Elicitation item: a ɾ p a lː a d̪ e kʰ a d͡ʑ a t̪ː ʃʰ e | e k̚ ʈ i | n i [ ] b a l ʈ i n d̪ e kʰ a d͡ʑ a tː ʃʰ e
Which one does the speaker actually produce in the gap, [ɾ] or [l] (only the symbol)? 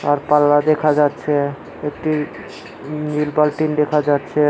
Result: l